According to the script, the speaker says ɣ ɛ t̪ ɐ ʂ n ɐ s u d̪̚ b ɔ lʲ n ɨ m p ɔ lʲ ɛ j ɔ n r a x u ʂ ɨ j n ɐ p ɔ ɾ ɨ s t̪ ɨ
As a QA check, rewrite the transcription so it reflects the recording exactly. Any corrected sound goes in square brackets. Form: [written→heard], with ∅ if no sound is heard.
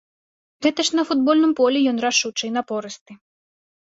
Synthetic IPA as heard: ɣ ɛ t̪ ɐ ʂ n ɐ [s→f] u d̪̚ b ɔ lʲ n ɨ m p ɔ lʲ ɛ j ɔ n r a [x→ʂ] u [ʂ→t͡ʂ] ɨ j n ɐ p ɔ ɾ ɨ s t̪ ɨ